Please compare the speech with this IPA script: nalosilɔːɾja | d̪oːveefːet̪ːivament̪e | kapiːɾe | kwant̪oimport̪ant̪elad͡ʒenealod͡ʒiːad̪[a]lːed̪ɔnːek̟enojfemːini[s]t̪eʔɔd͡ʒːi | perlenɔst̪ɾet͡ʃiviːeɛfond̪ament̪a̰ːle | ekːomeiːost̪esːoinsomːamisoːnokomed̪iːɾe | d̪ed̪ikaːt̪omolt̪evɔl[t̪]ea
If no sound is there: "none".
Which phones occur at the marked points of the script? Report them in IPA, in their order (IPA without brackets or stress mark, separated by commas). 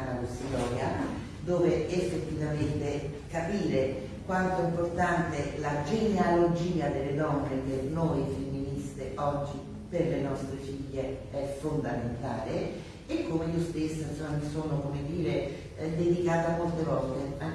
e, s, t̪